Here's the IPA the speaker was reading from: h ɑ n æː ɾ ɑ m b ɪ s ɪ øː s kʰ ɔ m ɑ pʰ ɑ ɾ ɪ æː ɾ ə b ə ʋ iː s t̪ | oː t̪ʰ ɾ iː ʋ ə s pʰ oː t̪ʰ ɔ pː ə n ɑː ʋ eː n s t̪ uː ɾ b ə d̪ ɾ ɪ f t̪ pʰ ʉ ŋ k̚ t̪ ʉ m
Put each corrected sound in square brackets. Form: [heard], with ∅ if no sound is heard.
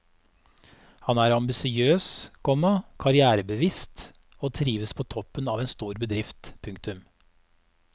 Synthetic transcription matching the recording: h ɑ n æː ɾ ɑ m b ɪ s ɪ øː s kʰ ɔ m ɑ [kʰ] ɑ ɾ ɪ æː ɾ ə b ə ʋ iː s t̪ | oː t̪ʰ ɾ iː ʋ ə s pʰ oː t̪ʰ ɔ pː ə n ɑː ʋ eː n s t̪ uː ɾ b ə d̪ ɾ ɪ f t̪ pʰ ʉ ŋ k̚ t̪ ʉ m